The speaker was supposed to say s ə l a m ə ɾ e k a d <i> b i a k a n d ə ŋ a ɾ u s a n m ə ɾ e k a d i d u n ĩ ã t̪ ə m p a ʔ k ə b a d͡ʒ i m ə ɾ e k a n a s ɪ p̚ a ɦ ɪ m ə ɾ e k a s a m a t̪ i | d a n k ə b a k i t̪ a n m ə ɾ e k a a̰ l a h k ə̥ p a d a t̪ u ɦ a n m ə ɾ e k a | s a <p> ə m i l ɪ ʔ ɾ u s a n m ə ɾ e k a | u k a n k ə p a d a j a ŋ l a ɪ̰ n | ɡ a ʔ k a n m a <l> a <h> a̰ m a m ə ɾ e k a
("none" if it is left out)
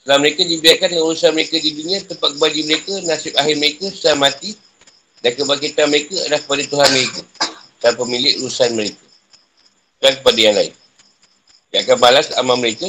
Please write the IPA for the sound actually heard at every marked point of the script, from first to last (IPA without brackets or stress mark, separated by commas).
i, p, l, s